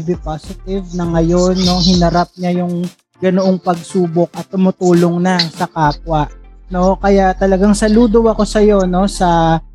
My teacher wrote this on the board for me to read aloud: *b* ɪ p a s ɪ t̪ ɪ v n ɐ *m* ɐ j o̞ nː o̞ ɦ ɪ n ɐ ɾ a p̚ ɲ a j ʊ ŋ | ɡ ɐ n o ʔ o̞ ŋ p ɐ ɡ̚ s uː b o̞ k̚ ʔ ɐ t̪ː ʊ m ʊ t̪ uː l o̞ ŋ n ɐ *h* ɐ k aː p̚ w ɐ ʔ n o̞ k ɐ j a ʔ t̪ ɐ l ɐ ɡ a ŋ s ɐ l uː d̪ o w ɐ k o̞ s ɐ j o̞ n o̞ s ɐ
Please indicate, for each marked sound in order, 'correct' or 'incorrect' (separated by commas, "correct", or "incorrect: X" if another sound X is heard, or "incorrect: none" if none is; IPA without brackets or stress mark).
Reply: correct, incorrect: ŋ, incorrect: s